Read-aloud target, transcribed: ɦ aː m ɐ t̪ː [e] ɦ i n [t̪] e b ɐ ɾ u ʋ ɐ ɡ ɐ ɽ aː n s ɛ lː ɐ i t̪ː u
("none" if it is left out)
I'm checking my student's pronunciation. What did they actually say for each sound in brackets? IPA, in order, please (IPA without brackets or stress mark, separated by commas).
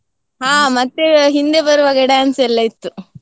e, d̪